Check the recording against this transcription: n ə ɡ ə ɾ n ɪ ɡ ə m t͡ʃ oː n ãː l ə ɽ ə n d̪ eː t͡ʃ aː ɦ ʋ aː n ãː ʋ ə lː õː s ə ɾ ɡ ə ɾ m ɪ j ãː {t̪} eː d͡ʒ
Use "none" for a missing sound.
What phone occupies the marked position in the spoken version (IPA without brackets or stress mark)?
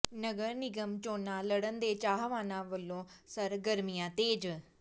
t̪